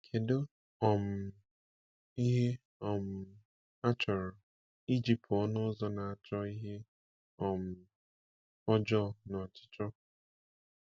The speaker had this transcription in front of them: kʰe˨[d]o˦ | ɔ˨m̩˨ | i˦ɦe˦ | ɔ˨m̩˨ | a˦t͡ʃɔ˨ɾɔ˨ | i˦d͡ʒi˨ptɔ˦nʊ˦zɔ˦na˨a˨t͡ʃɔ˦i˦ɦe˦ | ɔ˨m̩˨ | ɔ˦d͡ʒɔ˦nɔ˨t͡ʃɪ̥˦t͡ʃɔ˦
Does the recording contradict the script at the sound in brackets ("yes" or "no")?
no